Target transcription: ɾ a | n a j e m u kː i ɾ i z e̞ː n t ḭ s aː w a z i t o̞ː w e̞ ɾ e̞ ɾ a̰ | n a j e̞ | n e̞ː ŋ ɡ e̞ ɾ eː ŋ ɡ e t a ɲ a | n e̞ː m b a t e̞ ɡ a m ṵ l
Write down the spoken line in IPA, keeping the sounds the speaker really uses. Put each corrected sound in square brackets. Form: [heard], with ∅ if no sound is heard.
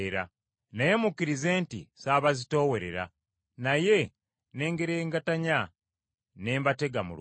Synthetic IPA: ɾ a | n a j e m u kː i ɾ i z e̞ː n t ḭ s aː [β] a z i t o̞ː w e̞ ɾ e̞ ɾ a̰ | n a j e̞ | n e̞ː ŋ ɡ e̞ ɾ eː ŋ ɡ [a] t a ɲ a | n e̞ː m b a t e̞ ɡ a m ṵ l